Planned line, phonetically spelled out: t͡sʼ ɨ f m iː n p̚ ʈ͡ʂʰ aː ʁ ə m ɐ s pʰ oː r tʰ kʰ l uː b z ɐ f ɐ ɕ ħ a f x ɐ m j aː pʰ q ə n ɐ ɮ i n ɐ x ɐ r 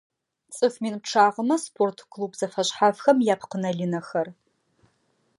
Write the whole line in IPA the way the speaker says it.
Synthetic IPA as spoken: t͡sʼ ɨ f m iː n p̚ ʈ͡ʂʰ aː ʁ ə m ɐ s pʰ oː r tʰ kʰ l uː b z ɐ f ɐ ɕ ħ a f x ɐ m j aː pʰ q ə n ɐ ɮ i n ɐ x ɐ r